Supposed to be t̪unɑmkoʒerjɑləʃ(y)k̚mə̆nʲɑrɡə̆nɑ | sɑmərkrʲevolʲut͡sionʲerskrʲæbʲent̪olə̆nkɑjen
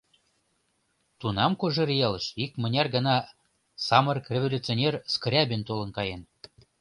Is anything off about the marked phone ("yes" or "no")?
yes